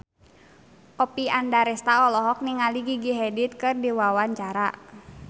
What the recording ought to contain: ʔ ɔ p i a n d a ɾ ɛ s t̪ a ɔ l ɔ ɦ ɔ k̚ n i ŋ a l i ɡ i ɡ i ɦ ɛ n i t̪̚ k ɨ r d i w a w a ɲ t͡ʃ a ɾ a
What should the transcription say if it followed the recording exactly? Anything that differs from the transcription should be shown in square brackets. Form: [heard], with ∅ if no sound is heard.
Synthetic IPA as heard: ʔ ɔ p i a n d a ɾ ɛ s t̪ a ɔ l ɔ ɦ ɔ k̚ n i ŋ a l i ɡ i ɡ i ɦ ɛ [d] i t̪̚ k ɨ r d i w a w a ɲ t͡ʃ a ɾ a